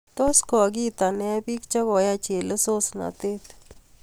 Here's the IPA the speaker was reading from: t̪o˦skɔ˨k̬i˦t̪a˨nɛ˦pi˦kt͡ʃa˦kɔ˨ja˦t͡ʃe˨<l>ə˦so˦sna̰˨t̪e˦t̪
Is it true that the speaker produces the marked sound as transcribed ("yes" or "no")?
yes